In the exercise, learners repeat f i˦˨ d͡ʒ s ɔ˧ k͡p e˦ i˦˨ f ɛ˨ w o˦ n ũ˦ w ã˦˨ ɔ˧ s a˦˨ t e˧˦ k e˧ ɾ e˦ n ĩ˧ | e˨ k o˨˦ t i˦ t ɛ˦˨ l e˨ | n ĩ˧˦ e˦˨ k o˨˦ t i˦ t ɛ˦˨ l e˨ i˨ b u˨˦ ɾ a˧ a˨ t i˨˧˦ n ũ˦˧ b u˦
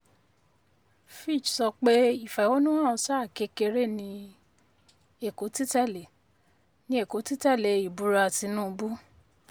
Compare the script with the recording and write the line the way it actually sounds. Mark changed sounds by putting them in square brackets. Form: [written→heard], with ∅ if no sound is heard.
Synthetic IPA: f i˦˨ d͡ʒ s ɔ˧ k͡p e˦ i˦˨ f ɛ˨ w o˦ n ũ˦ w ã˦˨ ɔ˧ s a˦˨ [t→k] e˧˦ k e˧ ɾ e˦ n ĩ˧ | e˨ k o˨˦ t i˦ t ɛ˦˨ l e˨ | n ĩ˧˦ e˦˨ k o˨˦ t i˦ t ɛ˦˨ l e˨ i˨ b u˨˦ ɾ a˧ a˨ t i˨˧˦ n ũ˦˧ b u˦